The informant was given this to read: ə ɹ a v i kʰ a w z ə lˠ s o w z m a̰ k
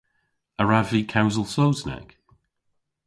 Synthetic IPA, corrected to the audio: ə ɹ a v i kʰ a w z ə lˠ s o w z n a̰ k